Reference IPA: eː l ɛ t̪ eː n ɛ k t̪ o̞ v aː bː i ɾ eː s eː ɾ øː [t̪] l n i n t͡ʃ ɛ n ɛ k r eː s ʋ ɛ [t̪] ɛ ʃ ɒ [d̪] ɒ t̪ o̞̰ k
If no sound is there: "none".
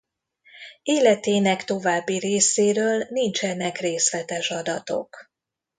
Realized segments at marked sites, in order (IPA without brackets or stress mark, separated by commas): none, t̪, d̪